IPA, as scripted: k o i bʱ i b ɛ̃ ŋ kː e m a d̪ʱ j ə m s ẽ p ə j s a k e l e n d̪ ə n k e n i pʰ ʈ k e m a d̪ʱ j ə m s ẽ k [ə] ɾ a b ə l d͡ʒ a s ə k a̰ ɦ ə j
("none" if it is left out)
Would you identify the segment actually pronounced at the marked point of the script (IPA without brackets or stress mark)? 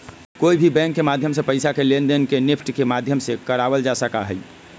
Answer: ə